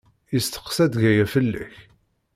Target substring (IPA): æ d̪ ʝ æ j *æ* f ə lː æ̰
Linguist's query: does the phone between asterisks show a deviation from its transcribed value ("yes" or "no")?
no